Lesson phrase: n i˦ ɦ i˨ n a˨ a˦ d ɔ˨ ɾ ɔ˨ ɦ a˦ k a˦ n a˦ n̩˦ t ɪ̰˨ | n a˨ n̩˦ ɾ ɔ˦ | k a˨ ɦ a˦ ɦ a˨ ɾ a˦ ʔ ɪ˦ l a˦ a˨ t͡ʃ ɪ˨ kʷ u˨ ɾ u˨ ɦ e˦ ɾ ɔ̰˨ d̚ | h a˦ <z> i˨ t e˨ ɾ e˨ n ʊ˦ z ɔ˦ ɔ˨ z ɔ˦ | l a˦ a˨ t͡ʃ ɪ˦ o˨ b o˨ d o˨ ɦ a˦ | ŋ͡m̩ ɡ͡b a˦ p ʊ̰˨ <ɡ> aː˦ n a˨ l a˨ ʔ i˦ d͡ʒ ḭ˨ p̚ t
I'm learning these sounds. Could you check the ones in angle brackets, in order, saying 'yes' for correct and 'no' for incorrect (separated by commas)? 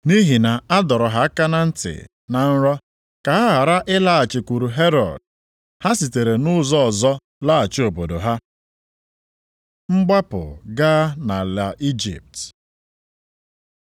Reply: no, yes